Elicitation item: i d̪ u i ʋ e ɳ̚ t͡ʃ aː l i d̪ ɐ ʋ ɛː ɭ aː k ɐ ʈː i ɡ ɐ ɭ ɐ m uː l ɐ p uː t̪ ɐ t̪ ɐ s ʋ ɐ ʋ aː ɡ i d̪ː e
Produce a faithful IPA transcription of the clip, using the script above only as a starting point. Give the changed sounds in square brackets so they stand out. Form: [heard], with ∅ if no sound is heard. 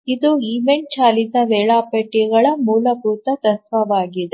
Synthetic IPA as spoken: i d̪ u i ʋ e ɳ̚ t͡ʃ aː l i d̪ ɐ ʋ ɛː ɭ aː [p] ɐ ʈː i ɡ ɐ ɭ ɐ m uː l ɐ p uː t̪ ɐ t̪ ɐ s ʋ ɐ ʋ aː ɡ i [d̪] e